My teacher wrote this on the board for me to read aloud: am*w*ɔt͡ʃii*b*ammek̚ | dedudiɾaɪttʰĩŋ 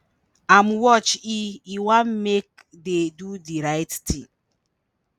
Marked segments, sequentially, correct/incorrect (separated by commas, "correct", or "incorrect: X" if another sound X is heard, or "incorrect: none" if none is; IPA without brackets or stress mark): correct, incorrect: w